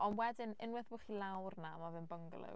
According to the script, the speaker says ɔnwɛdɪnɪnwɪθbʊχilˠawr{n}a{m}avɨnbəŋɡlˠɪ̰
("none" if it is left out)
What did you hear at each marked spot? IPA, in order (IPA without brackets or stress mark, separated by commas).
n, m